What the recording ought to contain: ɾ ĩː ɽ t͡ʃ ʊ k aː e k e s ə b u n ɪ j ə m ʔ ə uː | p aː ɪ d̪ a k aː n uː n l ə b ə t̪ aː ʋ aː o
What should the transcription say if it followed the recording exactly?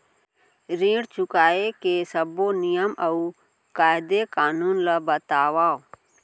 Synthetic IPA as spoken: ɾ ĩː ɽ t͡ʃ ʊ k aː e k e s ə b o n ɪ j ə m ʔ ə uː | k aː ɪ d̪ e k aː n uː n l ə b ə t̪ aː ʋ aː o